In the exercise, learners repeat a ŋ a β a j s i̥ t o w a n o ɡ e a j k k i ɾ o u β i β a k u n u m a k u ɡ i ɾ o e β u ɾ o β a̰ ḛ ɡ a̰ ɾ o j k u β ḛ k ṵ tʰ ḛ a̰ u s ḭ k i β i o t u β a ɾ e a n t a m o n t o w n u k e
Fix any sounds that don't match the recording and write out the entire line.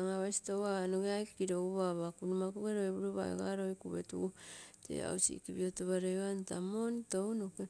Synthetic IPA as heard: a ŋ a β a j s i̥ t o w a n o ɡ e a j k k i ɾ o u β a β a k u n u m a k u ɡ e ɾ o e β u ɾ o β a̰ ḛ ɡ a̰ ɾ o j k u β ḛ t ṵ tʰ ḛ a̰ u s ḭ k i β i o t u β a ɾ e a n t a m o n t o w n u k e